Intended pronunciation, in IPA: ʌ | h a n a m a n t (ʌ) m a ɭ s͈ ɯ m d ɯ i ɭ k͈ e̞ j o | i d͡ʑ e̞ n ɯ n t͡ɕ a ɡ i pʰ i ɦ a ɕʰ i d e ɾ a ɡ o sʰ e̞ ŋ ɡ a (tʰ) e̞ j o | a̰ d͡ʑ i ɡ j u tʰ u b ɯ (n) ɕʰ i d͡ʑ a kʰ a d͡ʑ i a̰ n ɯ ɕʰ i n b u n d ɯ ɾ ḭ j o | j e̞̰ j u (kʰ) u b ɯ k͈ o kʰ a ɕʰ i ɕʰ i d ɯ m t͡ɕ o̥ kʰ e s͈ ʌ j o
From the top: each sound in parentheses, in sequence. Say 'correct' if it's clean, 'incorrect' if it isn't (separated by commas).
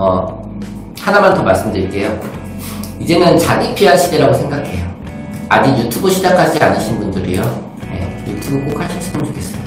correct, incorrect, incorrect, incorrect